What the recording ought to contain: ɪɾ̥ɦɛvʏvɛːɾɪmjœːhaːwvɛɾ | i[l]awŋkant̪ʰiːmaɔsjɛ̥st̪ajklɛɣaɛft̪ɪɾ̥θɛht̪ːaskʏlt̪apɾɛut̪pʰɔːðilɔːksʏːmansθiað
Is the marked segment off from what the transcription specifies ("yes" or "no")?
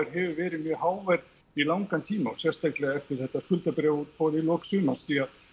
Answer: no